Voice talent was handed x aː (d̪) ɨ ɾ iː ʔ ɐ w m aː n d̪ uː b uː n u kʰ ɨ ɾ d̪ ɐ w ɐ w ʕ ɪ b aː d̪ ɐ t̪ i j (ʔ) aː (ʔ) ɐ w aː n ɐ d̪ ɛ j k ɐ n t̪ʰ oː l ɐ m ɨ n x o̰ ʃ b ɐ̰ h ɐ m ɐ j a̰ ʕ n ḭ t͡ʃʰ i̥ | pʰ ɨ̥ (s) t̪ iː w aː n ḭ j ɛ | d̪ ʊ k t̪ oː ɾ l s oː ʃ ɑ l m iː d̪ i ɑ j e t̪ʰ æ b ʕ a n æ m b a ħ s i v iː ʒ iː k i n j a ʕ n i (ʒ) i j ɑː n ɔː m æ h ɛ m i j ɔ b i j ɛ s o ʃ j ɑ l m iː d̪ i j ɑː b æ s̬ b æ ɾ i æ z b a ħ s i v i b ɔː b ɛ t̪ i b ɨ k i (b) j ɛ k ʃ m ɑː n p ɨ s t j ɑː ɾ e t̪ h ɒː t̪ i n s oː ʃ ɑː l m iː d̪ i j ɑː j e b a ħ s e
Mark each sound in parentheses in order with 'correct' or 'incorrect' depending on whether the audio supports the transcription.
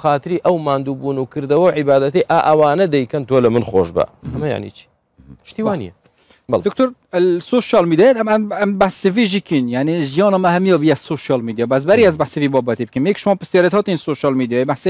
incorrect: t̪, correct, correct, incorrect: ʃ, correct, incorrect: m

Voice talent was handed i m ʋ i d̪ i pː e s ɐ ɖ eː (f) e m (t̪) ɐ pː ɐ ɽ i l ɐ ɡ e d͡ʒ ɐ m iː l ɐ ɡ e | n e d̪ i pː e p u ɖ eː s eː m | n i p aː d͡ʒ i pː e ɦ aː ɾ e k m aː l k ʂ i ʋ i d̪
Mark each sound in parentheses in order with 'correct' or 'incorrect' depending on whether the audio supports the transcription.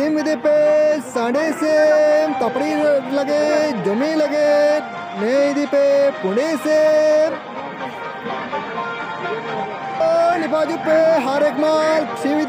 incorrect: s, correct

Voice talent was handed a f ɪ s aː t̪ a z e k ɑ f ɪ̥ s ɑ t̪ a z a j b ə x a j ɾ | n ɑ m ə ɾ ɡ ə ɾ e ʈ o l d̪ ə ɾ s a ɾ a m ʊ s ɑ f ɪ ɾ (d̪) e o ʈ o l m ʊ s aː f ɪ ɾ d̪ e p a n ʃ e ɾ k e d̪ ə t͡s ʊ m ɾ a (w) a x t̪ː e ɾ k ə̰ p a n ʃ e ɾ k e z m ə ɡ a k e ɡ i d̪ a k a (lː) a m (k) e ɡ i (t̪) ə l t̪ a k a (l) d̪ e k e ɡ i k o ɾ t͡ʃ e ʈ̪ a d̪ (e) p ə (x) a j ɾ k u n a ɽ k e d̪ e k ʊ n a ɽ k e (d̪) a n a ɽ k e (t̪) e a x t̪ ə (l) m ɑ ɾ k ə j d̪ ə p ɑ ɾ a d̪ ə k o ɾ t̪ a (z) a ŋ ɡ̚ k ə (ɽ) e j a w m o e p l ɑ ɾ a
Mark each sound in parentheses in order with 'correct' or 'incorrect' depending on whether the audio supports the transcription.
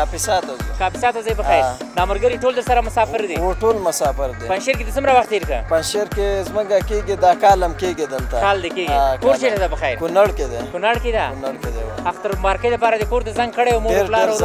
correct, correct, incorrect: l, correct, incorrect: d̪, correct, incorrect: a, correct, correct, incorrect: d̪, incorrect: ɾ, correct, correct

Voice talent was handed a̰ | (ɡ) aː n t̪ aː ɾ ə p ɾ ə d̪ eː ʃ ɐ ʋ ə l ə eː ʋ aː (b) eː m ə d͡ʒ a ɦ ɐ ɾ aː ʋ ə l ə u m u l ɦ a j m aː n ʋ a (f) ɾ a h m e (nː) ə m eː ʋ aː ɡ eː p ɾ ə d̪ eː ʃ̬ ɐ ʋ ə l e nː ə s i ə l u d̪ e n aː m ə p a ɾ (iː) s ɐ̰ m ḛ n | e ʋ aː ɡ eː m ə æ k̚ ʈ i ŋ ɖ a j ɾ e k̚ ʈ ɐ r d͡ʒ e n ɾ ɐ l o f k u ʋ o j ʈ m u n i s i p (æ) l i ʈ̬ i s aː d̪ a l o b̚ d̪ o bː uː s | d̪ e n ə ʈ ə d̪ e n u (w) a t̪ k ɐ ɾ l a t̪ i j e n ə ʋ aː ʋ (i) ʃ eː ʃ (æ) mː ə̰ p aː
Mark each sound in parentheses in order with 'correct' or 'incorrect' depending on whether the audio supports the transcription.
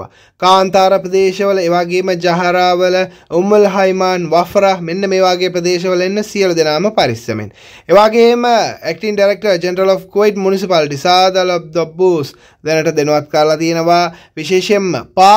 incorrect: k, incorrect: ɡ, correct, correct, incorrect: i, incorrect: a, incorrect: ʋ, correct, incorrect: e

